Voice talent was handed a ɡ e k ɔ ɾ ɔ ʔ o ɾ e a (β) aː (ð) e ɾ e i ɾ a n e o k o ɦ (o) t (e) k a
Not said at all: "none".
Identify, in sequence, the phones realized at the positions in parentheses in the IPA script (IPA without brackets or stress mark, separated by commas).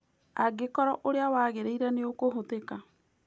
w, ɣ, o, e